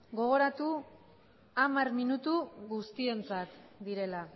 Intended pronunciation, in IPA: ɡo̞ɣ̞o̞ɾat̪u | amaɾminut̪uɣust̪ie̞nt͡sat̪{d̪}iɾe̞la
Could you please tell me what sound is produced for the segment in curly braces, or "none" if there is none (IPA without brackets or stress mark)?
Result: d̪